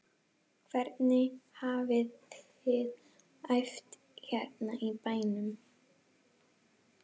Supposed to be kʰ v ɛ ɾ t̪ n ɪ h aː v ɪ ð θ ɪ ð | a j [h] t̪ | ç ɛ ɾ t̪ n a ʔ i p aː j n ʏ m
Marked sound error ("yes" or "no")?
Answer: yes